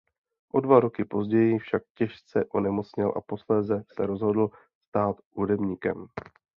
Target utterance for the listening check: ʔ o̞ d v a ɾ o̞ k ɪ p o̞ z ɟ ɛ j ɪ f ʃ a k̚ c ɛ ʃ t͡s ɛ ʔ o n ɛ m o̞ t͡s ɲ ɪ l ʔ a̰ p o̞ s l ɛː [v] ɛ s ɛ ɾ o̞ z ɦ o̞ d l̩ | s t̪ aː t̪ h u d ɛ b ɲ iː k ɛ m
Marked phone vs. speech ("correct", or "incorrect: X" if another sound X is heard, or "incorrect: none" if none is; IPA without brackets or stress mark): incorrect: z